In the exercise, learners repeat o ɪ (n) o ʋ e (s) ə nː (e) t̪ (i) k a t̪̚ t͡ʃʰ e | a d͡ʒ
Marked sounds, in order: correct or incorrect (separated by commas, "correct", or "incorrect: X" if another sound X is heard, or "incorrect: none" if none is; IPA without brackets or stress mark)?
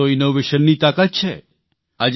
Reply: correct, incorrect: ʃ, incorrect: i, incorrect: a